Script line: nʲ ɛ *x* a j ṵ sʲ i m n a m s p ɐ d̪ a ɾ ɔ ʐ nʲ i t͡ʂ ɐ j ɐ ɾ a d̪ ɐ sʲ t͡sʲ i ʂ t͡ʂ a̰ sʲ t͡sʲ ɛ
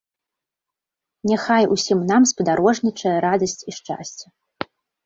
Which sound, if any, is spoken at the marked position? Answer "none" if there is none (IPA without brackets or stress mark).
x